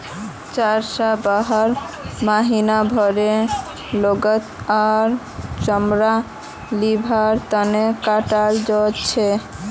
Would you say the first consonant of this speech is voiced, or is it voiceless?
voiceless